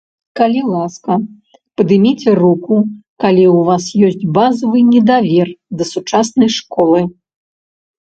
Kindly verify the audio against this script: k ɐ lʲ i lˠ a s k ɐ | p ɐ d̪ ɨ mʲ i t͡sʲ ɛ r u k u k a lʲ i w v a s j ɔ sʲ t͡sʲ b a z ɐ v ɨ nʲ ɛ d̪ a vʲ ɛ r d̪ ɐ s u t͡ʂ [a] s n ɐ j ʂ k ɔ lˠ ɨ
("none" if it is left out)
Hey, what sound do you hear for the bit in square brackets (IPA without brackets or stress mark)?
a